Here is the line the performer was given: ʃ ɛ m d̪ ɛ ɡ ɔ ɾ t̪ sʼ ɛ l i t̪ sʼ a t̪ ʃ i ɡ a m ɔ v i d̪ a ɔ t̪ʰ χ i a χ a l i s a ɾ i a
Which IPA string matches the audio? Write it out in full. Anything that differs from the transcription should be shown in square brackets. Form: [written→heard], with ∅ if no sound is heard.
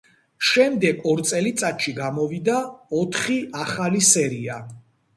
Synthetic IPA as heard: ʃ ɛ m d̪ ɛ ɡ ɔ ɾ t̪ sʼ ɛ l i t̪ sʼ a t̪ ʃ i ɡ a m ɔ v i d̪ a ɔ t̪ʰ χ i a χ a l i s [a→ɛ] ɾ i a